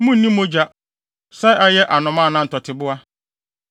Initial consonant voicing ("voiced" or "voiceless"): voiced